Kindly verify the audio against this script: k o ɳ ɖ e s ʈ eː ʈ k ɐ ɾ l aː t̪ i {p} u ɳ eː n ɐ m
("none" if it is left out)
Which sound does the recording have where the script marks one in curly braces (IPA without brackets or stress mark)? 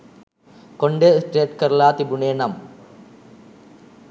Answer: b